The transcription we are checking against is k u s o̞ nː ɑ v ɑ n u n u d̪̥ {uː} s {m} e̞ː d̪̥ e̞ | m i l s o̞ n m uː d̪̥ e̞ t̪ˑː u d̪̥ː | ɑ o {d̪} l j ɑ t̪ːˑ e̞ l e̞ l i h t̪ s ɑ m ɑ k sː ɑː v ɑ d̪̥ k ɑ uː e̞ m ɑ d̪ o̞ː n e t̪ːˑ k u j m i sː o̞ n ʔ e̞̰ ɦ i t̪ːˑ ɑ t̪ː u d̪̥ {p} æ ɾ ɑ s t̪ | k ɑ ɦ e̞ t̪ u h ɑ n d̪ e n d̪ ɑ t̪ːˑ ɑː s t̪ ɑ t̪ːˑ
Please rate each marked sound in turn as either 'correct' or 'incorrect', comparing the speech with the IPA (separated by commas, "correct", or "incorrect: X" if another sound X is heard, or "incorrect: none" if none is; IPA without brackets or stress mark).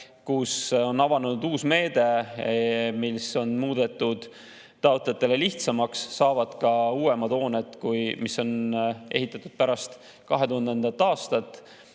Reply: correct, correct, incorrect: t̪, correct